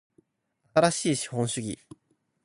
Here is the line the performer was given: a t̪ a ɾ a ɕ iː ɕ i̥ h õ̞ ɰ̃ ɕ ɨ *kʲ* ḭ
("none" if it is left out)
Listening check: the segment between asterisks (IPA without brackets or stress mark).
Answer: ɡʲ